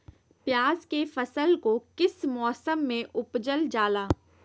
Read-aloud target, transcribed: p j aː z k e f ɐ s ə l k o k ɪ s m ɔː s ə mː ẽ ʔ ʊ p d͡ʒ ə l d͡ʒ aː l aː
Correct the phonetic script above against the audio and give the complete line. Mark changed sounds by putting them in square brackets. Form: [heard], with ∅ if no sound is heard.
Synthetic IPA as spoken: p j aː z k e f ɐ s ə l k o k ɪ s m ɔː s ə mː ẽ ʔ ʊ p d͡ʒ ə l d͡ʒ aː l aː